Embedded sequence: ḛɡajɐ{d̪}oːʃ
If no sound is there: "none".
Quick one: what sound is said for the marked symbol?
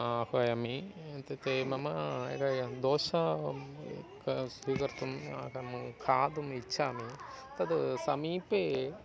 d̪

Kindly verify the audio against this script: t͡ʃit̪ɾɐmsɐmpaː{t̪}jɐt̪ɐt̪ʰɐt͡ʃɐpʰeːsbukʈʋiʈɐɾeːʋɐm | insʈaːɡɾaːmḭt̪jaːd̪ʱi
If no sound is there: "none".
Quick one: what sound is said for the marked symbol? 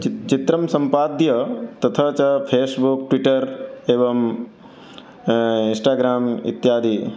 d̪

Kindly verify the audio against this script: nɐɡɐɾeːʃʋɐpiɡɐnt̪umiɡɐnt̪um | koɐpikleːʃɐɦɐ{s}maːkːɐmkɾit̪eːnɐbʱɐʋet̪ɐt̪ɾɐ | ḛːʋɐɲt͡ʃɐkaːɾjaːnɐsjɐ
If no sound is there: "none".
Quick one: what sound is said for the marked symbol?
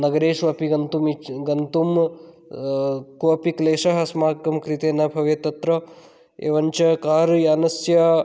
s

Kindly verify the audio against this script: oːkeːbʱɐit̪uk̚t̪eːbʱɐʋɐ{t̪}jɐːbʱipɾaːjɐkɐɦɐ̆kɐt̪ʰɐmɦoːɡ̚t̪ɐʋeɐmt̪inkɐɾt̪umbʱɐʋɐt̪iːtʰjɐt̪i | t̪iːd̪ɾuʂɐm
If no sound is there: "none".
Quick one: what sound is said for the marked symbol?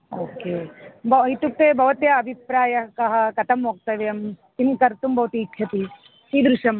t̪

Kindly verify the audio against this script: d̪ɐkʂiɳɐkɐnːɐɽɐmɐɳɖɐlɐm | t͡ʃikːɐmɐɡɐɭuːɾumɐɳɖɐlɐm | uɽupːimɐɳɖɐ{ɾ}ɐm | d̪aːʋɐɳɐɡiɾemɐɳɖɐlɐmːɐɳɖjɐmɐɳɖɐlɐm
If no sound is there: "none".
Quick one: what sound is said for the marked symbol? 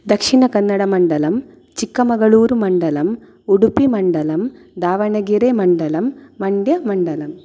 l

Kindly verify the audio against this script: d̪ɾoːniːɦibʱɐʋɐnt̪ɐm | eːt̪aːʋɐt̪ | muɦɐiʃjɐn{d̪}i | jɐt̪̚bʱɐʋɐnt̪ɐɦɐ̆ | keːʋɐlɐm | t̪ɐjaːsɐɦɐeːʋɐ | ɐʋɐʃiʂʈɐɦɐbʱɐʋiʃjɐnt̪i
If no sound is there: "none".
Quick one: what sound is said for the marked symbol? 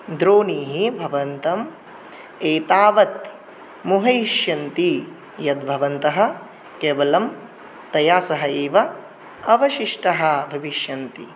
t̪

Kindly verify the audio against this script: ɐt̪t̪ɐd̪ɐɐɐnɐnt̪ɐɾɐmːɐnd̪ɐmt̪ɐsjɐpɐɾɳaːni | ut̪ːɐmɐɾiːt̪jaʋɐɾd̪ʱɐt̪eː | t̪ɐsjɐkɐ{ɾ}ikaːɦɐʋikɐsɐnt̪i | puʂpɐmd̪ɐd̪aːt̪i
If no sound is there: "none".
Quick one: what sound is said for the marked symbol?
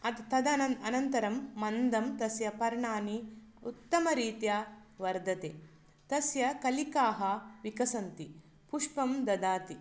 l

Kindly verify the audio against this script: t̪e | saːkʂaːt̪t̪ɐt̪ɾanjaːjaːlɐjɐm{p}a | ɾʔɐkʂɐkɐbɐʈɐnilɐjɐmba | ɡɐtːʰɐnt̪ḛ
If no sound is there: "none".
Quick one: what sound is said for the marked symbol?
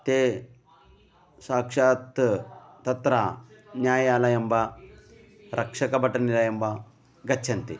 b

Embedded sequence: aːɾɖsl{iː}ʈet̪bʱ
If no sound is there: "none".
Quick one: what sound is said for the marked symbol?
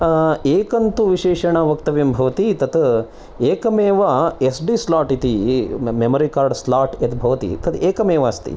aː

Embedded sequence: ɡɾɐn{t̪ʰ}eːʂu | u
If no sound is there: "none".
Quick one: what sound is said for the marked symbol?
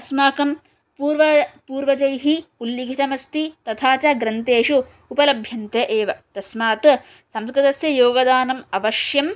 t̪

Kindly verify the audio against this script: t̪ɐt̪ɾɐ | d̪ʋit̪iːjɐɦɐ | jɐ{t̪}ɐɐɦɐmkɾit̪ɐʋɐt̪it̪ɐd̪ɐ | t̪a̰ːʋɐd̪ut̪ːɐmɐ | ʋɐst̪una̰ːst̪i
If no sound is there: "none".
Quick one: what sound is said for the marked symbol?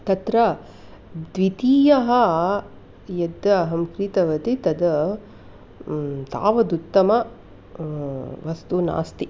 d̪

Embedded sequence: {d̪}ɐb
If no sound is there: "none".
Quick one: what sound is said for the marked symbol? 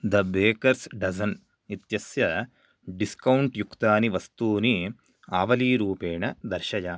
d̪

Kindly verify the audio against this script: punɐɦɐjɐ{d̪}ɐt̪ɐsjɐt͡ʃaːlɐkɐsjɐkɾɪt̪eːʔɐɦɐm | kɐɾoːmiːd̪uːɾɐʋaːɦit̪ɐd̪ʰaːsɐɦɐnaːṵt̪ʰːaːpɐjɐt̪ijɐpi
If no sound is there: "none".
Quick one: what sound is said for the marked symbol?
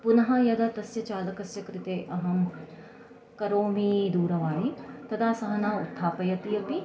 d̪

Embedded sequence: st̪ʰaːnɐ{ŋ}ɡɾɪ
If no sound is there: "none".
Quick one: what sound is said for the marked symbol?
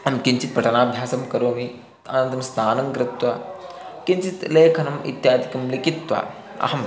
ŋ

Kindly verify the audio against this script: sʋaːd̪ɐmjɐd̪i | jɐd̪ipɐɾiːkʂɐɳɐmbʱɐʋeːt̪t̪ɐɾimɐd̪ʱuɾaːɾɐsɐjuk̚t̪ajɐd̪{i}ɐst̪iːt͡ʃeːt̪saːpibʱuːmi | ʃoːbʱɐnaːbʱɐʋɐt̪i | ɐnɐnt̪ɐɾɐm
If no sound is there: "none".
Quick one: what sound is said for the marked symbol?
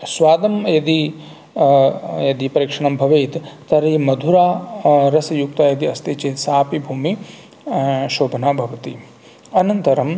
i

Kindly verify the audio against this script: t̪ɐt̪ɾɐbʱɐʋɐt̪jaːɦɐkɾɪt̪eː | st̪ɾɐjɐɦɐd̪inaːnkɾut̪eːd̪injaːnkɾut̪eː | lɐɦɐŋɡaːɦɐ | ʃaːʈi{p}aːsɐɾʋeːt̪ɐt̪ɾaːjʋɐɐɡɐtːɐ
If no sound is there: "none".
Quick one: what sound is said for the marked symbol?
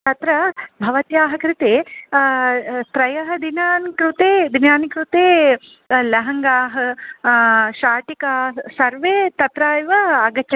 k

